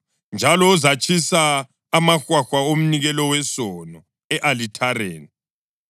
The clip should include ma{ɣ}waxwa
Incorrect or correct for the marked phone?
incorrect: x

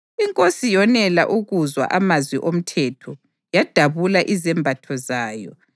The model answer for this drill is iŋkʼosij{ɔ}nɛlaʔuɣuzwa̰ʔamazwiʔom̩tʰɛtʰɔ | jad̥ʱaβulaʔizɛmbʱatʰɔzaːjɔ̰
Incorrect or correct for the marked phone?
correct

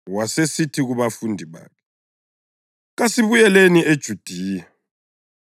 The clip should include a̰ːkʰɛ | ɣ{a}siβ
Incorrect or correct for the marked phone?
correct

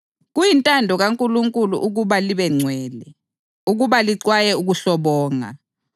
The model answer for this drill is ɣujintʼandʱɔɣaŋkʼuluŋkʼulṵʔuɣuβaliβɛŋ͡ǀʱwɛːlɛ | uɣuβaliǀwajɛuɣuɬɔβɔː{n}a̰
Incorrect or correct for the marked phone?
incorrect: ŋ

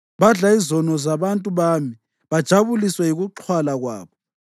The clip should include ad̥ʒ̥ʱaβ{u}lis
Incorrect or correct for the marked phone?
correct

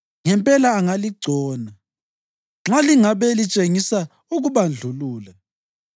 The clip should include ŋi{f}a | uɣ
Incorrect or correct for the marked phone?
incorrect: s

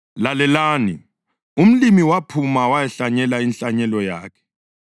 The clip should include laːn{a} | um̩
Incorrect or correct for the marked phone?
incorrect: i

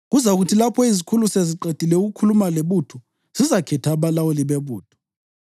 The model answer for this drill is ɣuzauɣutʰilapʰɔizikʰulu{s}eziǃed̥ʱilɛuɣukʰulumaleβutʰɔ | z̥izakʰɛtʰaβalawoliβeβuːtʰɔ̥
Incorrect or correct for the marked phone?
correct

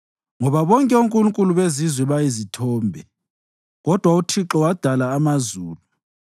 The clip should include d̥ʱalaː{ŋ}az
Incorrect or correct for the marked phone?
incorrect: m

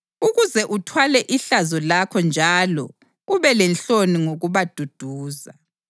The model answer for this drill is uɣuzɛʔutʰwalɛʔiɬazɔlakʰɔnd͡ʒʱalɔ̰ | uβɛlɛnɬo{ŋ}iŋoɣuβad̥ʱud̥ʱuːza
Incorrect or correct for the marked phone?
incorrect: n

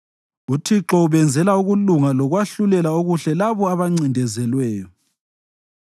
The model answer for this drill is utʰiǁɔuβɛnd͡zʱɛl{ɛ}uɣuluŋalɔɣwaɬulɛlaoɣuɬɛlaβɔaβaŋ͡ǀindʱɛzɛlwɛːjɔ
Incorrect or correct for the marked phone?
incorrect: a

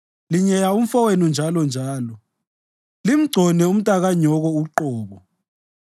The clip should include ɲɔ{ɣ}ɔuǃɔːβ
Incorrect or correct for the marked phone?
correct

